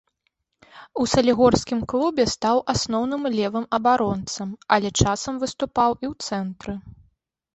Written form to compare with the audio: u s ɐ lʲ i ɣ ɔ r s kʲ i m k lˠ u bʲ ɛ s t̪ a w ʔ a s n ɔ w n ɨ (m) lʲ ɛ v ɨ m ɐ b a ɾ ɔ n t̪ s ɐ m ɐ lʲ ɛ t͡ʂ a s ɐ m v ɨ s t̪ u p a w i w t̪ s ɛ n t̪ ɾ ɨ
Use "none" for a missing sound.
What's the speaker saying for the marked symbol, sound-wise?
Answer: m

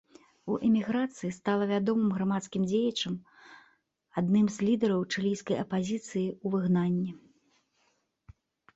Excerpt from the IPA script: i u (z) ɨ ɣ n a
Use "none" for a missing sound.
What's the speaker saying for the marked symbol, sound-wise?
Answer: v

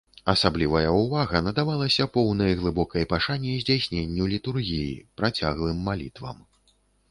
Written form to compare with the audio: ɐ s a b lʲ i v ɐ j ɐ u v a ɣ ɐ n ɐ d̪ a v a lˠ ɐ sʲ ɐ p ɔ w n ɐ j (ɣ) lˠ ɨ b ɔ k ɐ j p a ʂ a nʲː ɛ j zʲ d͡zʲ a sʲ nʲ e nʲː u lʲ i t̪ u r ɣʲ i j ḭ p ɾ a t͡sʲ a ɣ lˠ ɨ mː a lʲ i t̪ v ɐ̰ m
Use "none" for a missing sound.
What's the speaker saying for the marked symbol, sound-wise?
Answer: ɣ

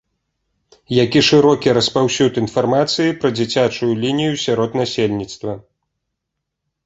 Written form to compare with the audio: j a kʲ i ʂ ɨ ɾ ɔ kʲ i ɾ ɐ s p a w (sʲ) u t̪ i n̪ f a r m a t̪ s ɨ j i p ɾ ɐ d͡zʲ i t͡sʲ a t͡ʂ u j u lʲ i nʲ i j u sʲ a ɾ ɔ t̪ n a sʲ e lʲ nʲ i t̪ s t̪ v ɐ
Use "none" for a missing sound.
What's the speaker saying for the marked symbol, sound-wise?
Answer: sʲ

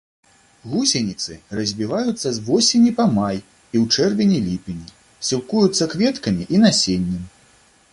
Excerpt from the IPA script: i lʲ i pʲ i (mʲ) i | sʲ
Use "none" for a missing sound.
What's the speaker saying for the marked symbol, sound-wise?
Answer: nʲ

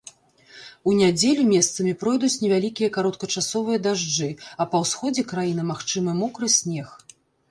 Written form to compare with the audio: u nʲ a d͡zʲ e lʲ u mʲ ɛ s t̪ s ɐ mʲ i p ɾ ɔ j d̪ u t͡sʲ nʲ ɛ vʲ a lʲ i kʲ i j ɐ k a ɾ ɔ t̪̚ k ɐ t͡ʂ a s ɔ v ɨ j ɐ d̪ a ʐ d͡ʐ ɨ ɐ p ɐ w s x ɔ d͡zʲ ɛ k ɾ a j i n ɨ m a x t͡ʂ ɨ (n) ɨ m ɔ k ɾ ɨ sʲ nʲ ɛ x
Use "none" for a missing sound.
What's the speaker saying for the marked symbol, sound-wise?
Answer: m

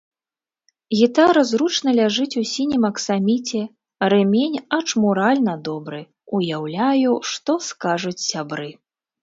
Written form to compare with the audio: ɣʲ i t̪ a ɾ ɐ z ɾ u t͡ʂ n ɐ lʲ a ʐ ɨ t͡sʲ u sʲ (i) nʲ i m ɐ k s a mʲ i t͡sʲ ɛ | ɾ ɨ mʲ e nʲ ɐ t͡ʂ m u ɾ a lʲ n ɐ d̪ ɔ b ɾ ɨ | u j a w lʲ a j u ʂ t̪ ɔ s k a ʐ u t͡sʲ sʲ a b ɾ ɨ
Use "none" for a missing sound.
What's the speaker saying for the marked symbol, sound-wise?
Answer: i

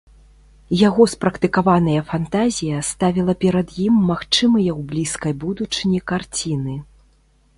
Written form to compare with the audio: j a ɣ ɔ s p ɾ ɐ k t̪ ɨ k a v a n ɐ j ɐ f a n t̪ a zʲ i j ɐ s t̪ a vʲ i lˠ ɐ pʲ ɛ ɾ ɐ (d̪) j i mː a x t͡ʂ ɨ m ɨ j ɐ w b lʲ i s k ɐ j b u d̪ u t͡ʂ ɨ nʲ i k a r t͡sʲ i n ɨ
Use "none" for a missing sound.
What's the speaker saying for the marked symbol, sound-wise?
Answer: d̪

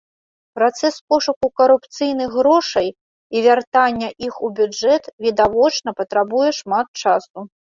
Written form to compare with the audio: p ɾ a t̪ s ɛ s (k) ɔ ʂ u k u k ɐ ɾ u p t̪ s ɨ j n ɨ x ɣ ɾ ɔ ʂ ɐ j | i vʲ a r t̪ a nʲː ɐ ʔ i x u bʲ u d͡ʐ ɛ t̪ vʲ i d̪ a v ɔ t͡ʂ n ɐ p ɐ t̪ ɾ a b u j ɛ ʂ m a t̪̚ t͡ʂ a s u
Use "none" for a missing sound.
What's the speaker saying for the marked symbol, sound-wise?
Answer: p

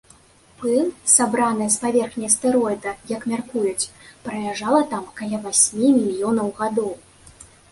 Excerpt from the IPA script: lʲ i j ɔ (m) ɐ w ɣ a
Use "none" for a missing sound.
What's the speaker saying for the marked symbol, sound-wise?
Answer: n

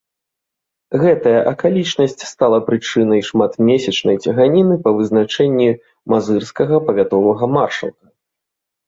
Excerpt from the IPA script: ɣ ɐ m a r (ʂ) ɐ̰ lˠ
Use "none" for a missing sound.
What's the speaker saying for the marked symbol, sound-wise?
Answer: ʂ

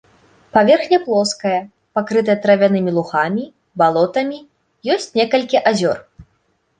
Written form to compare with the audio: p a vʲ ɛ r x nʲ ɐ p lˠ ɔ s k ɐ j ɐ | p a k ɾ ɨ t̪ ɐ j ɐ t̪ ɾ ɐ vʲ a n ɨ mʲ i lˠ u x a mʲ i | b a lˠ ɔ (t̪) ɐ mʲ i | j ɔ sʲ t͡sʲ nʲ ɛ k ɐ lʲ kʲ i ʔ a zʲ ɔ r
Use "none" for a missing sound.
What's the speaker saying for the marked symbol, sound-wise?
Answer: t̪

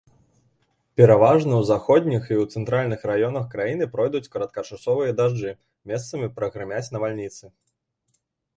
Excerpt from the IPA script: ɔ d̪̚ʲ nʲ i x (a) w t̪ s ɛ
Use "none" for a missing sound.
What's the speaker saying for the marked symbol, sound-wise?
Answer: i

